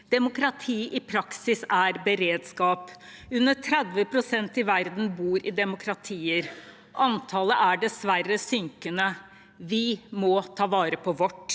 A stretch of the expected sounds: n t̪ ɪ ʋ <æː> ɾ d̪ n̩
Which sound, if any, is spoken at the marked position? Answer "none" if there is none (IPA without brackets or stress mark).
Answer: æ